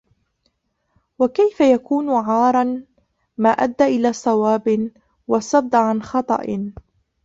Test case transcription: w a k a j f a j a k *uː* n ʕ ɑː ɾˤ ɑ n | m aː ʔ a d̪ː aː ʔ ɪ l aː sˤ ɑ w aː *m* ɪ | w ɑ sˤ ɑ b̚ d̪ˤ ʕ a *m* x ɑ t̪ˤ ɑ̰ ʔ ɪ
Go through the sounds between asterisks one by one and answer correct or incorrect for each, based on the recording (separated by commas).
correct, incorrect, incorrect